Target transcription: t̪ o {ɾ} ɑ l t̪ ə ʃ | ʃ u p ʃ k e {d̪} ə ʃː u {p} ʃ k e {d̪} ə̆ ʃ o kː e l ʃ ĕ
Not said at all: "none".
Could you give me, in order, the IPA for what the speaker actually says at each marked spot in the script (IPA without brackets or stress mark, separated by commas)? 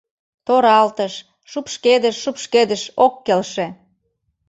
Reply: ɾ, d̪, p, d̪